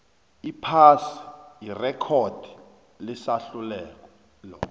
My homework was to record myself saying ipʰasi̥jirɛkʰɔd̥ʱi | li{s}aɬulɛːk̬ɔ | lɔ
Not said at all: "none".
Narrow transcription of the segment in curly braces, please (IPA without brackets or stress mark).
s